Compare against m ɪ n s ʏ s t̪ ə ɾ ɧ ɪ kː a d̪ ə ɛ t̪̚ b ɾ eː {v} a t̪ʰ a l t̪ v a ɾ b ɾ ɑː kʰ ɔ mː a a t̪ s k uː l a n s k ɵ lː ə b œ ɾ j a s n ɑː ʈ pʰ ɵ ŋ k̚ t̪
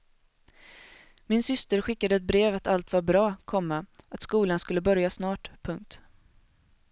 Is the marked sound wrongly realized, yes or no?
no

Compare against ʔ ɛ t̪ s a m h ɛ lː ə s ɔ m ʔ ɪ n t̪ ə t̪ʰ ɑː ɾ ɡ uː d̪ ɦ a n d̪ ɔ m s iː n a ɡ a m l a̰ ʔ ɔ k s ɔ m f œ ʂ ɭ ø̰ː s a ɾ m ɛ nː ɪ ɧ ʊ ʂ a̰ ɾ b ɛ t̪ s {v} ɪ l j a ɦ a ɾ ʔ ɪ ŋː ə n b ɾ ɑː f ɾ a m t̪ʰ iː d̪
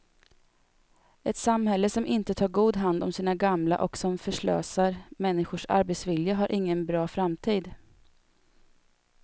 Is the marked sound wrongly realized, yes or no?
no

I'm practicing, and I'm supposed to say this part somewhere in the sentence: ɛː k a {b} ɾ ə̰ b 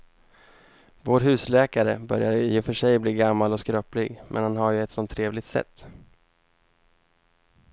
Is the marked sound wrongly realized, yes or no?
yes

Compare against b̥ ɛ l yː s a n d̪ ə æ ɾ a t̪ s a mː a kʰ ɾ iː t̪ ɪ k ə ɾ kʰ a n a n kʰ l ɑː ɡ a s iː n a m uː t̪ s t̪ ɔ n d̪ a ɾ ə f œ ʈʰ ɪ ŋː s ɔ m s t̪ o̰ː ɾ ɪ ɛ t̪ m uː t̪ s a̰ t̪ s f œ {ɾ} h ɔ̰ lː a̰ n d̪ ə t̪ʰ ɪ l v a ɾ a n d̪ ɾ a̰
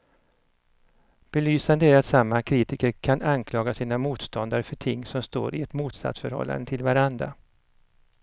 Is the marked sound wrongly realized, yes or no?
no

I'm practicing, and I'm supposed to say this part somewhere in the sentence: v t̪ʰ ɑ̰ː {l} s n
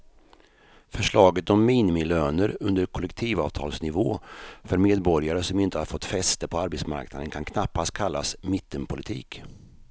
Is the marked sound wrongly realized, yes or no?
no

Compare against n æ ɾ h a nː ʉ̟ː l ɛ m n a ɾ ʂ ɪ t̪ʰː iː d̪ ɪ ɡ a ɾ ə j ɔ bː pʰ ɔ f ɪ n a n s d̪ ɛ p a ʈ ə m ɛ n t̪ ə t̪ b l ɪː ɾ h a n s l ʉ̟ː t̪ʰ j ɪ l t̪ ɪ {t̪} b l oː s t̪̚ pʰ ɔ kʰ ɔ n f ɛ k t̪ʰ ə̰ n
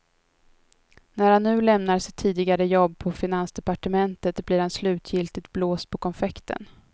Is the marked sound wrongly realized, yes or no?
no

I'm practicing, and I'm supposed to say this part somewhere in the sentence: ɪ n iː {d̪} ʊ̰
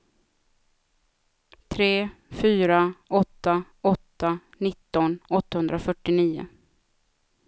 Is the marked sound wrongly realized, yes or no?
yes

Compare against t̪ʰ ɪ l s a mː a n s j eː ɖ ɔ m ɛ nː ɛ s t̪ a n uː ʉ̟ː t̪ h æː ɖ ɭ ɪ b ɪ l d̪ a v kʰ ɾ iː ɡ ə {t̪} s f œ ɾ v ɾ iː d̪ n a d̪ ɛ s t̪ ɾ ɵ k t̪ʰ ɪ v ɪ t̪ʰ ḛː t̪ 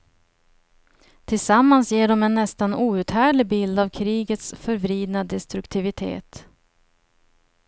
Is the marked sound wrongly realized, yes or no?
no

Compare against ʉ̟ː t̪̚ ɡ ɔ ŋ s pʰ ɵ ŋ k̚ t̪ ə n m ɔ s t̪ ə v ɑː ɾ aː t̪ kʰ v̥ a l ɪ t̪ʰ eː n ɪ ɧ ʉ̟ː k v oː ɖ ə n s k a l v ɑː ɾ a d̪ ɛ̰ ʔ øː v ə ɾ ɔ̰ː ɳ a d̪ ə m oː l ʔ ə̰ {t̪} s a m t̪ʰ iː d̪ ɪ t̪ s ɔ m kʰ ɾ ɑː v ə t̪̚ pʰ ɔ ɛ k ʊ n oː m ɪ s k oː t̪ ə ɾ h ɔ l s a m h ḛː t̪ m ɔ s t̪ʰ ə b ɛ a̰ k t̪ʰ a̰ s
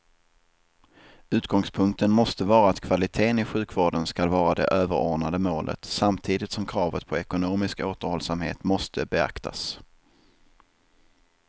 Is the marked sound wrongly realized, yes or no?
no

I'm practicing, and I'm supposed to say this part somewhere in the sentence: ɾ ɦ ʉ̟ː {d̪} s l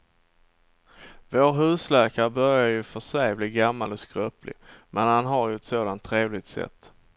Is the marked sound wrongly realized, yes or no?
yes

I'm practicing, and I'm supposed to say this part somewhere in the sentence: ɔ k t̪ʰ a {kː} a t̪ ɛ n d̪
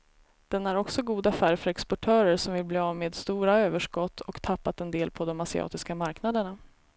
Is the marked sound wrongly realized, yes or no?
yes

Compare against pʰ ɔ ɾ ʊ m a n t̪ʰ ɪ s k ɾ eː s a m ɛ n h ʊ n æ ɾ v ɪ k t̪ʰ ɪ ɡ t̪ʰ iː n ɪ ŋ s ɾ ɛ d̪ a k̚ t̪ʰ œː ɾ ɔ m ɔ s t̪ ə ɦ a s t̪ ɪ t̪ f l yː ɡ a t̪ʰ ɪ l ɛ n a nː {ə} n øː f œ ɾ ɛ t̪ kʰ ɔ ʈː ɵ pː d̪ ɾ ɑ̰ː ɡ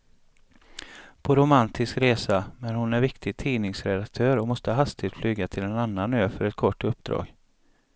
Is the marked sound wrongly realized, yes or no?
yes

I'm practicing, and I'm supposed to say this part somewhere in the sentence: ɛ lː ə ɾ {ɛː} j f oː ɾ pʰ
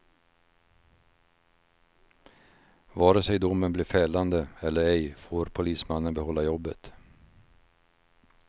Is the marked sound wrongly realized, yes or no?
yes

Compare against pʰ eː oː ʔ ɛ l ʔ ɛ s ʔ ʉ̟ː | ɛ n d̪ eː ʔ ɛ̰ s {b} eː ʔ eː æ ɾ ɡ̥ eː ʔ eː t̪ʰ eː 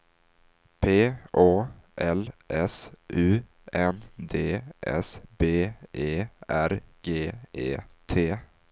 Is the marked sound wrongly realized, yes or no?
no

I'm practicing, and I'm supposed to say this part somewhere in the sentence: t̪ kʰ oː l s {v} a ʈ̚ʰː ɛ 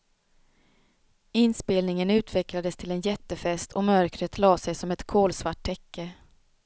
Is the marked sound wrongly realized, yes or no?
no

